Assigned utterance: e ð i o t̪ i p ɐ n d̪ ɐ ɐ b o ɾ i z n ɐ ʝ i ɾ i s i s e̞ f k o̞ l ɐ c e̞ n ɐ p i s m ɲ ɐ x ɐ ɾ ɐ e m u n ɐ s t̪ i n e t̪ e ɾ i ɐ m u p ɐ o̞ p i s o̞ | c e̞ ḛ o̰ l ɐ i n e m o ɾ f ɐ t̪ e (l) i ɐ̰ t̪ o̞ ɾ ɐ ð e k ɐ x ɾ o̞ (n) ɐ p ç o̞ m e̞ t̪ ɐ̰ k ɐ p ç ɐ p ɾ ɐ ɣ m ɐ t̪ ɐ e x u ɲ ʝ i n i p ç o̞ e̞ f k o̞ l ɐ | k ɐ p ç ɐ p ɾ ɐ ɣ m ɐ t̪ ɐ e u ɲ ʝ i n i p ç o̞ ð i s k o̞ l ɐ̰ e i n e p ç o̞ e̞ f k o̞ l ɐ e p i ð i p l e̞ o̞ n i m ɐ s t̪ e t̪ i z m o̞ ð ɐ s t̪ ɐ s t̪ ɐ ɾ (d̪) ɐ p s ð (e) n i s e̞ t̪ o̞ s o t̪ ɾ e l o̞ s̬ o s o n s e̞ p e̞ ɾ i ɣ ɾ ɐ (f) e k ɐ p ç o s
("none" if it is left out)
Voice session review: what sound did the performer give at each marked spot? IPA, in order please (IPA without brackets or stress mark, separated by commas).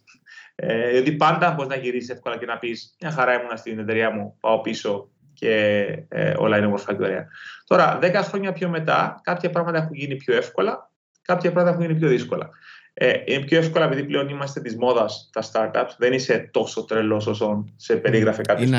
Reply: ɾ, ɲ, t̪, e, f